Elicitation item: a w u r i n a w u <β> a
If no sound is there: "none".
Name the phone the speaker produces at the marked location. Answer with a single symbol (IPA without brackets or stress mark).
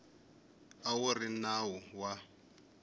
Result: w